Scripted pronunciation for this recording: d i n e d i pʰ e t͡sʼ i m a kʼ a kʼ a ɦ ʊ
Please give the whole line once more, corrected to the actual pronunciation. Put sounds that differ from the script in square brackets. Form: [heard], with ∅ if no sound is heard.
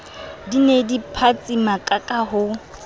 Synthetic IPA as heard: d i n e d i pʰ [a] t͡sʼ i m a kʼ a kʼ a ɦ ʊ